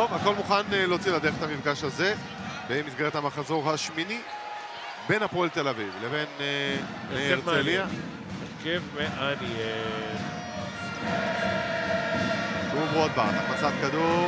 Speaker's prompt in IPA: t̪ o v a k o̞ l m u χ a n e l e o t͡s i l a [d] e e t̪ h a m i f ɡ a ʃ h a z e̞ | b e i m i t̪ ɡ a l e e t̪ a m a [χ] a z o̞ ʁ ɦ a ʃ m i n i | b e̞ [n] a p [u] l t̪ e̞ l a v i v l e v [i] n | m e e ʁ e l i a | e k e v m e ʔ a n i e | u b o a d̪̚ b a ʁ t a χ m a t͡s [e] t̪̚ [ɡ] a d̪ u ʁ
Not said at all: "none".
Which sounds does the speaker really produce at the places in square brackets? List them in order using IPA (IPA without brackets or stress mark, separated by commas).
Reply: d, χ, n, o, e, a, k